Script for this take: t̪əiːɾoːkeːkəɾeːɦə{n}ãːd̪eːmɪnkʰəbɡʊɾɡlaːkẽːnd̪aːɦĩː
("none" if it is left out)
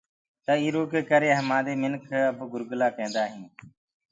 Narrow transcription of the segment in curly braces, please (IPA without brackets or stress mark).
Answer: m